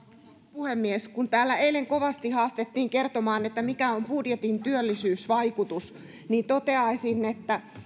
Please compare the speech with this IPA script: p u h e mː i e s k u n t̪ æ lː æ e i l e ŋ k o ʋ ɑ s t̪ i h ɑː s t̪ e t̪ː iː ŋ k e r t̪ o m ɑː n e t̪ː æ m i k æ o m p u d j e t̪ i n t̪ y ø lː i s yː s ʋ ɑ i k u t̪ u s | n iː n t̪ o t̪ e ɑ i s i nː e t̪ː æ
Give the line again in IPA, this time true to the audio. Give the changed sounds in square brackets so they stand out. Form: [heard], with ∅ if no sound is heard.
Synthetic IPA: p u h e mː i e s k u n t̪ [æː] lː æ e i l e ŋ k o ʋ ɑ s t̪ i h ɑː s t̪ e t̪ː iː ŋ k e r t̪ o m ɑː n e t̪ː æ m i k æ o m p u d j e t̪ i n t̪ y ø lː i s yː s ʋ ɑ i k u t̪ u s | n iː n t̪ o t̪ e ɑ i s i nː e t̪ː æ